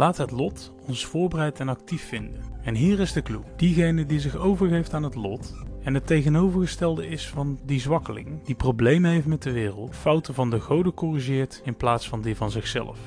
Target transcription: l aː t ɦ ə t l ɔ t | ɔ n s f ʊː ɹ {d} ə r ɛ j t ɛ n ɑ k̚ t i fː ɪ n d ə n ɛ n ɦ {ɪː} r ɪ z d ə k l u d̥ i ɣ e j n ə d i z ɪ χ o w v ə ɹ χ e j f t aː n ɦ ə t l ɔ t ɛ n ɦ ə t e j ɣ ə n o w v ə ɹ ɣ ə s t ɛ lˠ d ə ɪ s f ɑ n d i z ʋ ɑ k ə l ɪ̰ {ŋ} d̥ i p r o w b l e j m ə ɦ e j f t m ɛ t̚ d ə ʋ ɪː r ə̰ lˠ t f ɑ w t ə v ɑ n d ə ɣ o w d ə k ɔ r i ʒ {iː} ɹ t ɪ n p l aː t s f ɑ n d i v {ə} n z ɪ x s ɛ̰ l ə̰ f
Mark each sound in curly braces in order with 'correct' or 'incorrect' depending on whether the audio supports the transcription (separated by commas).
incorrect, incorrect, correct, incorrect, incorrect